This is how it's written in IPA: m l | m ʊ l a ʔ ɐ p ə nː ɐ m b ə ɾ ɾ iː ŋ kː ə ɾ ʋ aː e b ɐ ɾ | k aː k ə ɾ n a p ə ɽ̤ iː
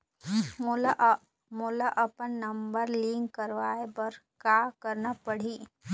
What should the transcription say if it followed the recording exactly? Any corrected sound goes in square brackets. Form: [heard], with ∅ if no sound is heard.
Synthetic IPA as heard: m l | m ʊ l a ʔ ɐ p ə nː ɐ m b ə ɾ [l] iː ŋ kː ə ɾ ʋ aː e b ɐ ɾ | k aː k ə ɾ n a p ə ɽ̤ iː

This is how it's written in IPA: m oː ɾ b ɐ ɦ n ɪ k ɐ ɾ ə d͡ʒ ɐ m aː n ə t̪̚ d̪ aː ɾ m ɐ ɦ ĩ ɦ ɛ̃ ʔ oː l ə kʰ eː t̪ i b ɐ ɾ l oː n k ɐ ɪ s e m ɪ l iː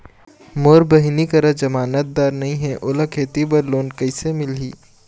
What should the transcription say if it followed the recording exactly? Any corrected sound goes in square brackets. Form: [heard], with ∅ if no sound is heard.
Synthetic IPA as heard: m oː ɾ b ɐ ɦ n [i] k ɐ ɾ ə d͡ʒ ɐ m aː n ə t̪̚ d̪ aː ɾ [n] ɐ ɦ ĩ ɦ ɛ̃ ʔ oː l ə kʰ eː t̪ i b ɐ ɾ l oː n k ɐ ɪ s e m ɪ l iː

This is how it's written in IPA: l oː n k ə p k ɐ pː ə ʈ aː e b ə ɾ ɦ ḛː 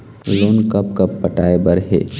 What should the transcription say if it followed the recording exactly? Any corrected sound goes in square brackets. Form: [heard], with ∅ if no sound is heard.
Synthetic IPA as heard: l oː n k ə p k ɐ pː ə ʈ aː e b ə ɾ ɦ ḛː

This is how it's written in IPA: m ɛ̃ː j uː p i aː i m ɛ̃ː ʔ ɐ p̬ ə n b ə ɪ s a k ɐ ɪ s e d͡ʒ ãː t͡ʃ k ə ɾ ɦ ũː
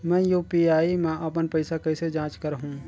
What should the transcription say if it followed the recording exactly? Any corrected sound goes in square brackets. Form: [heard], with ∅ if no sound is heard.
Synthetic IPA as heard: m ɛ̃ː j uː p i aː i m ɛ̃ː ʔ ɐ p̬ ə n [p] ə ɪ s a k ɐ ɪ s e d͡ʒ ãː t͡ʃ k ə ɾ ɦ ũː

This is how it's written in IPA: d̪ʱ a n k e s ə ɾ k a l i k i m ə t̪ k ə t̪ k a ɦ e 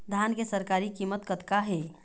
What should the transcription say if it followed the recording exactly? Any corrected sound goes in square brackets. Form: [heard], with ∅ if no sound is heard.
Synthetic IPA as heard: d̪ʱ a n k e s ə ɾ k a [ɾ] i k i m ə t̪ k ə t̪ k a ɦ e

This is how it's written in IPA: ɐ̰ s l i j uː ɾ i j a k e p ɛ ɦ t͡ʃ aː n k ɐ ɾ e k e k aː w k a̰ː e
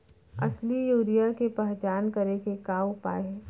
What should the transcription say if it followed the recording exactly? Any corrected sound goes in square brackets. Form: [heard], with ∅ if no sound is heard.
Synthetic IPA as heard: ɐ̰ s l i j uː ɾ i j a k e p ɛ ɦ t͡ʃ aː n k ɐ ɾ e k e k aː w [p] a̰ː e

